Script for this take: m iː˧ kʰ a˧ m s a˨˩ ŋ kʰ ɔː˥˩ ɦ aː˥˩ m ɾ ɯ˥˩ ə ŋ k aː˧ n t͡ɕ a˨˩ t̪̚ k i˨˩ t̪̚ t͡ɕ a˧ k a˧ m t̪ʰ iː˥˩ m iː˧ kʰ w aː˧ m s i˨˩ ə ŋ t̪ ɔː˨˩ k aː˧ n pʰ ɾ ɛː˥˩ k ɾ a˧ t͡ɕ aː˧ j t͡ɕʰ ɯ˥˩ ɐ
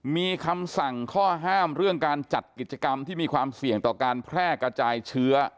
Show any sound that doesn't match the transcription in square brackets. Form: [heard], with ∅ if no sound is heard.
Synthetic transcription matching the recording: m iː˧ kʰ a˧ m s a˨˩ ŋ kʰ ɔː˥˩ ɦ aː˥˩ m ɾ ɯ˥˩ ə ŋ k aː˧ n t͡ɕ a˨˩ t̪̚ k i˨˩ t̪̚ t͡ɕ a˧ k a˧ m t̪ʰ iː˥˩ m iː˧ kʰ w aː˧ m s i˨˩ ə ŋ t̪ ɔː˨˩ k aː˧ n pʰ ɾ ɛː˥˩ k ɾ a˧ t͡ɕ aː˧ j t͡ɕʰ [ɯ˦˥] ɐ

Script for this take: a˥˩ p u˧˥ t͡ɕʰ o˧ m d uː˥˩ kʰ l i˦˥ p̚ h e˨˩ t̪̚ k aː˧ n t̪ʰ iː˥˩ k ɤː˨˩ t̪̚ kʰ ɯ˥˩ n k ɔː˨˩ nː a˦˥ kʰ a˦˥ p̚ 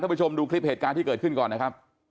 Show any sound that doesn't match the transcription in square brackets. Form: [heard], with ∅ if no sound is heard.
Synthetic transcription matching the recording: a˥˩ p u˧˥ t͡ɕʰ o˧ m d [uː˧] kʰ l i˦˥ p̚ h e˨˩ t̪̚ k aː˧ n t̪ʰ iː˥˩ k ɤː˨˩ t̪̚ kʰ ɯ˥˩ n k ɔː˨˩ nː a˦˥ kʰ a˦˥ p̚

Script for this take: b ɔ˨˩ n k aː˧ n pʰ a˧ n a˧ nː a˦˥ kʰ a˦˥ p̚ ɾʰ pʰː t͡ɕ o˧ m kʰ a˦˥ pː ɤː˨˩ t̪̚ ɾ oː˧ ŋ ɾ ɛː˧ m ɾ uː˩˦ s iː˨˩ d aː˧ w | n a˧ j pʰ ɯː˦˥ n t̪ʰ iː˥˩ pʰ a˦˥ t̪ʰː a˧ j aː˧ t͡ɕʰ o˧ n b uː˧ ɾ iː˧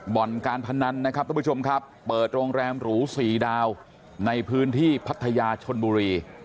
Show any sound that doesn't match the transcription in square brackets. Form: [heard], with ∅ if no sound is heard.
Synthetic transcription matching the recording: b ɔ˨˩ n k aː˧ n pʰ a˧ n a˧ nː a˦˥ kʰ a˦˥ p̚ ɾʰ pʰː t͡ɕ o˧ m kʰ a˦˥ pː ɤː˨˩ t̪̚ ɾ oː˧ ŋ ɾ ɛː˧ m ɾ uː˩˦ s iː˨˩ d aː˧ w | n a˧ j pʰ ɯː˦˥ n t̪ʰ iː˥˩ pʰ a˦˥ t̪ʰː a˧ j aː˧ t͡ɕʰ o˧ n b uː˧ ɾ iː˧

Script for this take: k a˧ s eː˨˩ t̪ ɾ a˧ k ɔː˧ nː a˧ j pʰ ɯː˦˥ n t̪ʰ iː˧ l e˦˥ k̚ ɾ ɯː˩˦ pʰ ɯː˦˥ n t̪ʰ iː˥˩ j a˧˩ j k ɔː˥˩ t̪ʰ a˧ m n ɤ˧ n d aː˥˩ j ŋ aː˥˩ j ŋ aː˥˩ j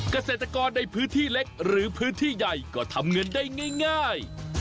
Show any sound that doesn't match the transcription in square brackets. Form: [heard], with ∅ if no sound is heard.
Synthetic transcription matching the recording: k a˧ s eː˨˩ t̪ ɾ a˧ k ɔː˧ nː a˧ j pʰ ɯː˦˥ n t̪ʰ [iː˥˩] l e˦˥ k̚ ɾ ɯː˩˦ pʰ ɯː˦˥ n t̪ʰ iː˥˩ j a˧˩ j k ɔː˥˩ t̪ʰ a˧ m [ŋ] ɤ˧ n d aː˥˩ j ŋ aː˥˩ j ŋ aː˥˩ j

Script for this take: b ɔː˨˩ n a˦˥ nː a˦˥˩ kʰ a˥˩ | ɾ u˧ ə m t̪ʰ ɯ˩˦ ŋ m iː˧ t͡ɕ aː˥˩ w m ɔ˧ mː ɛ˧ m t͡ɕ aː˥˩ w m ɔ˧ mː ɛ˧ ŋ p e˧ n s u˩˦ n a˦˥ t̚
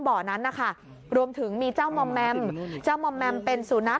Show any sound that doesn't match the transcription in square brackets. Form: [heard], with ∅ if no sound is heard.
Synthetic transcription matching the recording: b ɔː˨˩ n a˦˥ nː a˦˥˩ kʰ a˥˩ | ɾ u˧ ə m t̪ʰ ɯ˩˦ ŋ m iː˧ t͡ɕ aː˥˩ w m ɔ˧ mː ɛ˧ m t͡ɕ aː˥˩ w m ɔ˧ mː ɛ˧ [m] p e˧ n s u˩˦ n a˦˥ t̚

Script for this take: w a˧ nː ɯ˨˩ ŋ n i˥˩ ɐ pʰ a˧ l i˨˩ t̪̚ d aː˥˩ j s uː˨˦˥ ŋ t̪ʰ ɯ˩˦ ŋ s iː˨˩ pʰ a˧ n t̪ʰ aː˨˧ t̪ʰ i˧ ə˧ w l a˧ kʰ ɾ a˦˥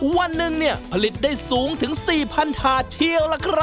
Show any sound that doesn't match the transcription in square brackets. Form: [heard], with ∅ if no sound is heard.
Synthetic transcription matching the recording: w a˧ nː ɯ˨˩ ŋ n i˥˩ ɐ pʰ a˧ l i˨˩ t̪̚ d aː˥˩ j s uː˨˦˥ ŋ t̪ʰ ɯ˩˦ ŋ s iː˨˩ pʰ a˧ n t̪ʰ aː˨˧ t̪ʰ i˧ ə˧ w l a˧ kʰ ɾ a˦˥

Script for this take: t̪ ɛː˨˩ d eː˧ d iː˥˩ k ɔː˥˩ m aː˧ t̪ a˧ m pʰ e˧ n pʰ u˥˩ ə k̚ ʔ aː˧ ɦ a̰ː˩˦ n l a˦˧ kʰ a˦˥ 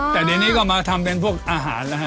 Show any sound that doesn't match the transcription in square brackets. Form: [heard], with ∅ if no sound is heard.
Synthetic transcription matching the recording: t̪ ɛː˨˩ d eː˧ [n] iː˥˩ k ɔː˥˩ m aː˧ [t̪ʰ] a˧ m [p] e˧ n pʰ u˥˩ ə k̚ ʔ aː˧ ɦ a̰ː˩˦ n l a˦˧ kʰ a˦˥

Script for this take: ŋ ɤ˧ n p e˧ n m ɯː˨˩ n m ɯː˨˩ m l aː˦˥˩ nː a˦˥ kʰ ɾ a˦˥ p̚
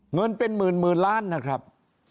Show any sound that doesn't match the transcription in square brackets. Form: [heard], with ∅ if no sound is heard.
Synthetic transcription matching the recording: ŋ ɤ˧ n p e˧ n m ɯː˨˩ n m ɯː˨˩ [n] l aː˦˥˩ nː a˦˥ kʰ ɾ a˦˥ p̚

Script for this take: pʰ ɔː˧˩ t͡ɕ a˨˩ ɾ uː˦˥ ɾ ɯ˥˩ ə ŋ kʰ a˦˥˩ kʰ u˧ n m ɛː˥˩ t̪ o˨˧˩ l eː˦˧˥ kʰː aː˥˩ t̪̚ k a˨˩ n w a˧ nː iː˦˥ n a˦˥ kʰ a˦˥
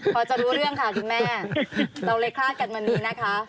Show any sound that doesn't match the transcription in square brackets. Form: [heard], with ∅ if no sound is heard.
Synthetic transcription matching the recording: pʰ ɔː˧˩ t͡ɕ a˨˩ ɾ uː˦˥ ɾ ɯ˥˩ ə ŋ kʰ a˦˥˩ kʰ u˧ n m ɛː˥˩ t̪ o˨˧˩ l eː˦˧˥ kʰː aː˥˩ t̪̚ k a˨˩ n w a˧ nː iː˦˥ n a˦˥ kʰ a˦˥

